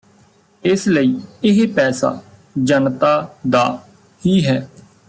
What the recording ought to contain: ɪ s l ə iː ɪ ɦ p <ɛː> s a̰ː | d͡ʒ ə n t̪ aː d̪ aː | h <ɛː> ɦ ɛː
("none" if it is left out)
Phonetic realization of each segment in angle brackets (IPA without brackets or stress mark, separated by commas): ɛː, iː